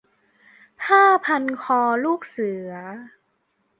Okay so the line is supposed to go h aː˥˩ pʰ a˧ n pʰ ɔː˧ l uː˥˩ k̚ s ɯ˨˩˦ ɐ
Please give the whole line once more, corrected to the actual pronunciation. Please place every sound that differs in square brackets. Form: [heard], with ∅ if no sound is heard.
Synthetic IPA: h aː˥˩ pʰ a˧ n [kʰ] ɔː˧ l uː˥˩ k̚ s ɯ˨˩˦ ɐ